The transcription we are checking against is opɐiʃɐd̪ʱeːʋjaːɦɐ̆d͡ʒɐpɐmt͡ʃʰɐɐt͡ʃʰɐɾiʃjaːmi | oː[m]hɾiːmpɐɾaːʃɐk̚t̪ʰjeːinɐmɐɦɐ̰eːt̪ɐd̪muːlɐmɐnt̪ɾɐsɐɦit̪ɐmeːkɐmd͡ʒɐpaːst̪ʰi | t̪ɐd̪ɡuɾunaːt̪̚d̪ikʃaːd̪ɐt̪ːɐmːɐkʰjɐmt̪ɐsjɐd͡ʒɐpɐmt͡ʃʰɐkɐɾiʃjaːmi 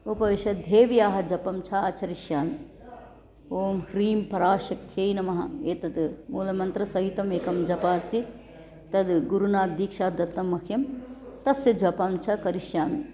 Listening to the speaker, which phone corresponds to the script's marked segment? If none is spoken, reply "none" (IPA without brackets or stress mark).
m